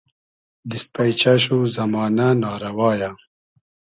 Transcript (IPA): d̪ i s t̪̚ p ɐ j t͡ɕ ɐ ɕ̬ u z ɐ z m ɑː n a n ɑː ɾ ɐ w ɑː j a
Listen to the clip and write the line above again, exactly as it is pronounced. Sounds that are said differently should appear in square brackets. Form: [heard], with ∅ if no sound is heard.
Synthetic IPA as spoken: d̪ i s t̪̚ p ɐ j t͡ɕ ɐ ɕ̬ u z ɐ [∅] m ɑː n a n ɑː ɾ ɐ w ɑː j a